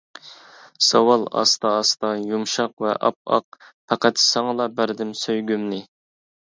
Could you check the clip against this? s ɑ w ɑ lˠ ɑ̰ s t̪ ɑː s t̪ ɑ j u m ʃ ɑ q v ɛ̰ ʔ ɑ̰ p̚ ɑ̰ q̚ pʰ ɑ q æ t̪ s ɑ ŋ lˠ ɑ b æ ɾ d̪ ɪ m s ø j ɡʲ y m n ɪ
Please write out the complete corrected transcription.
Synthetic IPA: s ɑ w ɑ lˠ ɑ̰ s t̪ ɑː s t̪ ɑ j u m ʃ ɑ q v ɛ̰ ʔ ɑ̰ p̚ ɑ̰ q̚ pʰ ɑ q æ t̪ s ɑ ŋ lˠ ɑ b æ ɾ d̪ ɪ m s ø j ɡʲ y m n ɪ